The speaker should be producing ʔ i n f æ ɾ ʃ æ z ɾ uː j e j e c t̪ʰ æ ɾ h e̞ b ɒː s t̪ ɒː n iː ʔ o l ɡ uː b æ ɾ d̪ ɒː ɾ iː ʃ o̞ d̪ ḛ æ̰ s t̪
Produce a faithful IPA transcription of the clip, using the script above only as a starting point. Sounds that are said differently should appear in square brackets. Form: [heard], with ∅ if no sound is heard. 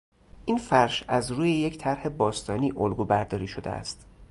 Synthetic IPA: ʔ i n f æ ɾ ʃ æ z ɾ uː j e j e c t̪ʰ æ ɾ h e̞ b ɒː s t̪ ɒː n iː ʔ o l ɡ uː b æ ɾ d̪ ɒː ɾ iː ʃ o̞ d̪ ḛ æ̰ s t̪